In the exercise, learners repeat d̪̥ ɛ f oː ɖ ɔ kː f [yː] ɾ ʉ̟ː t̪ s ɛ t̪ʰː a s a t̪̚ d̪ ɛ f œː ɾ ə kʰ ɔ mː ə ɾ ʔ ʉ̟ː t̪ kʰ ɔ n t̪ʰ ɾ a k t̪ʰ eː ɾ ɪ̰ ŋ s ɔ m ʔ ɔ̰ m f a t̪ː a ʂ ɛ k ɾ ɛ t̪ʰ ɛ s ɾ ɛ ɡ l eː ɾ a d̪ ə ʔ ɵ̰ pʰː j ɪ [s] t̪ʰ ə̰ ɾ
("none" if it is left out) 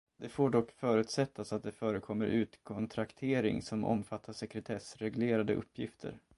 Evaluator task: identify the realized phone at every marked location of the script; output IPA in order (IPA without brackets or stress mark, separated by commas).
œː, f